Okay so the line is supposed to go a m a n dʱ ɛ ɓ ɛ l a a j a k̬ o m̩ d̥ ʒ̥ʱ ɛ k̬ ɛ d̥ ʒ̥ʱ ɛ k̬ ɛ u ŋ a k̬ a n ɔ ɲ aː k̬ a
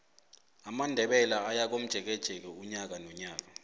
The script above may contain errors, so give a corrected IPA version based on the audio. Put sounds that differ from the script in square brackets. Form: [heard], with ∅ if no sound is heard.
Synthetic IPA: a m a n dʱ ɛ ɓ ɛ l a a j a k̬ o m̩ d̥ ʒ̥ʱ ɛ k̬ ɛ d̥ ʒ̥ʱ ɛ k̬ ɛ u [ɲ] a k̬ a n ɔ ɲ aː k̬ a

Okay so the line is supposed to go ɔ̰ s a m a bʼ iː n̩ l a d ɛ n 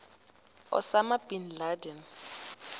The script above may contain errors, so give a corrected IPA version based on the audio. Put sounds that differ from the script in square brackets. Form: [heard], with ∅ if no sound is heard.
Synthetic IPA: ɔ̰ s a m a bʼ [i] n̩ l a d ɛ n

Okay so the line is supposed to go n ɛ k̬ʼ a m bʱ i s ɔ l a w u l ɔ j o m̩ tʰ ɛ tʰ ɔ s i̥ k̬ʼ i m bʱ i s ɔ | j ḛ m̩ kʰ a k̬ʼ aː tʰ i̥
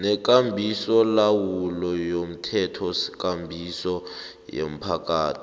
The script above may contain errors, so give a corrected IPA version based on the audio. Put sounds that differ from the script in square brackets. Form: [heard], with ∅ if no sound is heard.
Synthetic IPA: n ɛ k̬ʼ a m bʱ i s ɔ l a w u l ɔ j o m̩ tʰ ɛ tʰ ɔ s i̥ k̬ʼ [a] m bʱ i s ɔ | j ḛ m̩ [pʰ] a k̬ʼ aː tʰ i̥

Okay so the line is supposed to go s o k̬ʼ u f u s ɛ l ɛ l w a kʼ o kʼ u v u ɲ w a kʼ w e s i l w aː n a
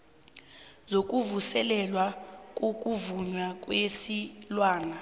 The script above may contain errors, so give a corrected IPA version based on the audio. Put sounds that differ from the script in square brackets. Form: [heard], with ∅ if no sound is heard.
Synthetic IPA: [z] o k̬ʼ u [v] u s ɛ l ɛ l w a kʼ o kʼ u v u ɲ w a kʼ w e s i l w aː n a

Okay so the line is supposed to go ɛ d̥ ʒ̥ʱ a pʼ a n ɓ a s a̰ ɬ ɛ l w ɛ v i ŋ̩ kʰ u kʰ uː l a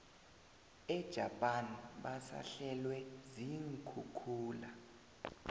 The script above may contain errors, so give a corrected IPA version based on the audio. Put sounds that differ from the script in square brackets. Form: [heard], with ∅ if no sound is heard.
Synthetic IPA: ɛ d̥ ʒ̥ʱ a pʼ a n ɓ a s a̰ ɬ ɛ l w ɛ [z] i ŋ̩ kʰ u kʰ uː l a

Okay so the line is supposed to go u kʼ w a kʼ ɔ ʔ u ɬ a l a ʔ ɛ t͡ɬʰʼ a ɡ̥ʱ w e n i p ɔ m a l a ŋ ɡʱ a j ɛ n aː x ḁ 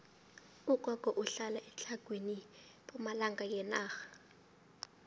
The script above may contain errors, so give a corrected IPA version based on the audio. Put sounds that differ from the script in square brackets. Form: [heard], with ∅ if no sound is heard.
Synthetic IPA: u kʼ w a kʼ ɔ ʔ u ɬ a l a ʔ ɛ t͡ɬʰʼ a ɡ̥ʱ w e n i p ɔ m a l a ŋ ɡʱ a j ɛ n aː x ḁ

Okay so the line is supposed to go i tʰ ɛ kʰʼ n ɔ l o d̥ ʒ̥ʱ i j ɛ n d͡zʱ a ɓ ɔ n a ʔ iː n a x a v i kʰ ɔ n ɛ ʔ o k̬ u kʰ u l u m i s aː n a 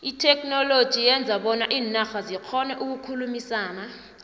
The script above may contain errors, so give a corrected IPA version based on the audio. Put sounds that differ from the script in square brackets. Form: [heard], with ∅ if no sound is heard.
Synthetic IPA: i tʰ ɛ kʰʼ n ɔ l o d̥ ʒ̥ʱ i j ɛ n d͡zʱ a ɓ ɔ n a ʔ iː n a x a [z] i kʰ ɔ n ɛ ʔ [u] k̬ u kʰ u l u m i s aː n a

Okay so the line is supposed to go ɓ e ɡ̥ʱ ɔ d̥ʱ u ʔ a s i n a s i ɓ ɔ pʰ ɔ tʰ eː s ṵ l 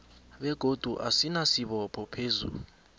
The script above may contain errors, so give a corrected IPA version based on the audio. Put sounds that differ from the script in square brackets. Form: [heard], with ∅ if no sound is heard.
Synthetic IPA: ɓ [ɛ] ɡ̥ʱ [o] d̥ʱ u ʔ a s i n a s i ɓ ɔ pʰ ɔ [pʰ] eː [z] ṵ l

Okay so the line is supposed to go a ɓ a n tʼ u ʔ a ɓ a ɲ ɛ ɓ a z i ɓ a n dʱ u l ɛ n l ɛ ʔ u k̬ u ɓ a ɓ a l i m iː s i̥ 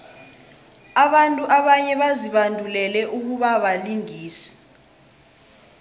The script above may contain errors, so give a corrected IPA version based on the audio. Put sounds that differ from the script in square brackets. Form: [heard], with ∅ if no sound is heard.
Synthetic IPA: a ɓ a n tʼ u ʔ a ɓ a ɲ ɛ ɓ a z i ɓ a n dʱ u l ɛ [∅] l ɛ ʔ u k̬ u ɓ a ɓ a l i [ŋ] iː s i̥

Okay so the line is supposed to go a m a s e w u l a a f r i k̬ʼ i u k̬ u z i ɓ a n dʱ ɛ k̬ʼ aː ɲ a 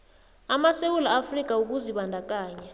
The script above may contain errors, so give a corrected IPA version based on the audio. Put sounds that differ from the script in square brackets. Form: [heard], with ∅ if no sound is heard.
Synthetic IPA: a m a s e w u l a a f r i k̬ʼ [a] u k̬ u z i ɓ a n dʱ [a] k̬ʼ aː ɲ a

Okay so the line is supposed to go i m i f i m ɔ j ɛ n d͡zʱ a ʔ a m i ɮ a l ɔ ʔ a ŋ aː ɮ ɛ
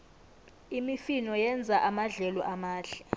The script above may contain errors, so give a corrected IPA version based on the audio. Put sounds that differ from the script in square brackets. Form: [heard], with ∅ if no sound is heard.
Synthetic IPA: i m i f i [n] ɔ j ɛ n d͡zʱ a ʔ a m [a] ɮ [ɛ] l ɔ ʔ a [m] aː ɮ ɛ

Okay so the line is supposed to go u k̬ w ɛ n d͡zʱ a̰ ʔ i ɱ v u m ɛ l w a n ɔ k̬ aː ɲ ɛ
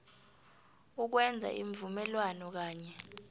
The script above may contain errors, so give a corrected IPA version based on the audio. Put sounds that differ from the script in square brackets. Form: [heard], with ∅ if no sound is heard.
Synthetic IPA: u k̬ w ɛ n d͡zʱ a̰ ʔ i ɱ v u m ɛ l w a n ɔ k̬ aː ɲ ɛ

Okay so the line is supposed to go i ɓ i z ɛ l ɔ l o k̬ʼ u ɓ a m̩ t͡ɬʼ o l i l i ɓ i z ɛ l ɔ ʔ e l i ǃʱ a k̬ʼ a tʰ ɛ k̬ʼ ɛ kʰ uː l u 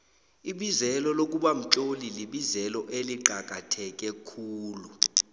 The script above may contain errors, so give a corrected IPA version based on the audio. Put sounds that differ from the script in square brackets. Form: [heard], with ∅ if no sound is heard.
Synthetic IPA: i ɓ i z ɛ l ɔ l o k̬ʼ u ɓ a m̩ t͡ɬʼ o l i l i ɓ i z ɛ l ɔ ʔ e l i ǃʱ a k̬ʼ a tʰ ɛ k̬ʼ ɛ kʰ uː l u

